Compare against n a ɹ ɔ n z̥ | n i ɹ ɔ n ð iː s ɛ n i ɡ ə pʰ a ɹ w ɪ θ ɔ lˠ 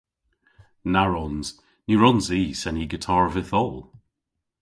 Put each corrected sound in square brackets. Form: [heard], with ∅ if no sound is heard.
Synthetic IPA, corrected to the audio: n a ɹ ɔ n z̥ | n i ɹ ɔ n [z] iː s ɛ n i ɡ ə [tʰ] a ɹ [v] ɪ θ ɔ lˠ

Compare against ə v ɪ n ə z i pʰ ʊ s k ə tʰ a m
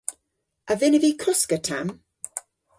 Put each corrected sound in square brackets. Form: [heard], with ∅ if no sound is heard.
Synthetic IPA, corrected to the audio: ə v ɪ n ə [v] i [kʰ] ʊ s k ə tʰ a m

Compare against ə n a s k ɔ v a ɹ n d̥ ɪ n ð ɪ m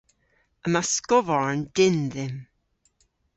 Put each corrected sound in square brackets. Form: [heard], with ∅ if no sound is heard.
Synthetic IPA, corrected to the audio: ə [m] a s k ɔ v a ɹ n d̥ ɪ n ð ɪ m

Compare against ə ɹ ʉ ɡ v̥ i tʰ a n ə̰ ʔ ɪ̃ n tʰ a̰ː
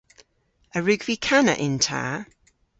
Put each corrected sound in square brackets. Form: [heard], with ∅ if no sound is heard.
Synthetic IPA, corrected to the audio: ə ɹ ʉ ɡ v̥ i [kʰ] a n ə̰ ʔ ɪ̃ n tʰ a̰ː

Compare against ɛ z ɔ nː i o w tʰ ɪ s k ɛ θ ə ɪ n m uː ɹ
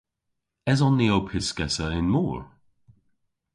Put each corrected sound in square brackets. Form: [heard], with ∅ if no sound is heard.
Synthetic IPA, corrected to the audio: ɛ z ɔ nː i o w [pʰ] ɪ s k ɛ [s] ə ɪ n m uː ɹ

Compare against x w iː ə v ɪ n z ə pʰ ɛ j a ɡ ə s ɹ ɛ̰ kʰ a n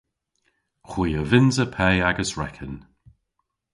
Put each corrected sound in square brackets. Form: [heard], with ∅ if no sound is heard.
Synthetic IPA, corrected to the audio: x w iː ə v ɪ n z ə pʰ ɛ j a ɡ ə s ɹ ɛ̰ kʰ [ə] n

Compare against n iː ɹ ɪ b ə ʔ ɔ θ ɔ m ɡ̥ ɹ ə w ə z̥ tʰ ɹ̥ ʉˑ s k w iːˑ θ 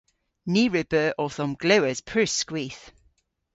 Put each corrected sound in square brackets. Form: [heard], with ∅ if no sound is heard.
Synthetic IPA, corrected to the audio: n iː ɹ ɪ b ə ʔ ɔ θ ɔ m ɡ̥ [l] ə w ə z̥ [pʰ] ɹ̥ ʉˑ s k w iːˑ θ

